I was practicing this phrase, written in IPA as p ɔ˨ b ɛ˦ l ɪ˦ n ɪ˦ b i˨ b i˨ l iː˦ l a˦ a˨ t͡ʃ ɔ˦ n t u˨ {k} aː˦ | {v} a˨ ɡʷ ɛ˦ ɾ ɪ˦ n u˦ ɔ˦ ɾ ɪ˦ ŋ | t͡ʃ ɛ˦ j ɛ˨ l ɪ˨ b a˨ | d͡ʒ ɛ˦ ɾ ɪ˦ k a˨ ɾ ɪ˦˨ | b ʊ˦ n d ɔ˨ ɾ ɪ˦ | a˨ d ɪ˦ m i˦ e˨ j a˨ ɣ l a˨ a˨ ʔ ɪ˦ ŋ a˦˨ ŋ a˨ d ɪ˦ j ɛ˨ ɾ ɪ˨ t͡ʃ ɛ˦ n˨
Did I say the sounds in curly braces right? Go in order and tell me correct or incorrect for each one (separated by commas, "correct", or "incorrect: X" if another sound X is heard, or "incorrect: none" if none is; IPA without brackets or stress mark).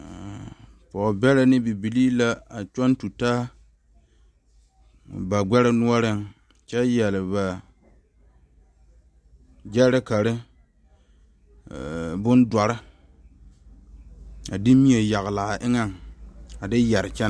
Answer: incorrect: t, incorrect: b